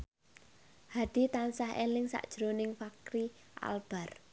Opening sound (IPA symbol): h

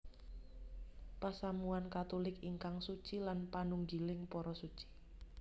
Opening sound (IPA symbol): p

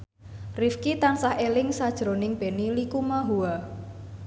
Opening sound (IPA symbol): r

